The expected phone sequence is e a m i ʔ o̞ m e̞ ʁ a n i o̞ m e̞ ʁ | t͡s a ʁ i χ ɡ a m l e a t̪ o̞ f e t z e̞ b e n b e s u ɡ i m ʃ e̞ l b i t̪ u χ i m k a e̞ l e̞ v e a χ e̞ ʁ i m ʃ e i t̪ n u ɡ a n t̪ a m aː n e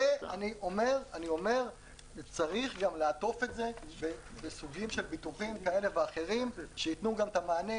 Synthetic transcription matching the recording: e a n i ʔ o̞ m e̞ ʁ a n i o̞ m e̞ ʁ | t͡s a ʁ i χ ɡ a m l e a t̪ o̞ f e t z e̞ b e b e s u ɡ i m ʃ e̞ l b i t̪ u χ i m k a e̞ l e̞ v e a χ e̞ ʁ i m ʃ e i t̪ n u ɡ a m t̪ a m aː n e